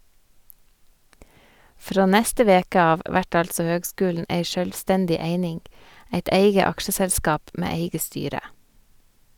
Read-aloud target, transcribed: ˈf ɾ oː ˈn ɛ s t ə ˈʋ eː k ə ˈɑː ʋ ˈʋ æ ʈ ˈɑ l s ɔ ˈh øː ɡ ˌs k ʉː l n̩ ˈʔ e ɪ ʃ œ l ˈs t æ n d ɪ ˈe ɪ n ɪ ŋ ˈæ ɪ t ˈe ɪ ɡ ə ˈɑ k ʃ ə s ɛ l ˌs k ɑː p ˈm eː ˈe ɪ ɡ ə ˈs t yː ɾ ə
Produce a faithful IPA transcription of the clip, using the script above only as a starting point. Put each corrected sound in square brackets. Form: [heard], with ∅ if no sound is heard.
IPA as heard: ˈf ɾ oː ˈn ɛ s t ə ˈʋ eː k ə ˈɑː ʋ ˈʋ æ ʈ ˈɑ l s ɔ ˈh øː ɡ ˌs k ʉː l n̩ ˈʔ e ɪ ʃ œ l ˈs t [ɛ] n d ɪ ˈe ɪ n ɪ ŋ ˈæ ɪ t ˈe ɪ ɡ ə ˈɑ k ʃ ə s ɛ l ˌs k ɑː p ˈm eː ˈe ɪ ɡ ə ˈs t yː ɾ ə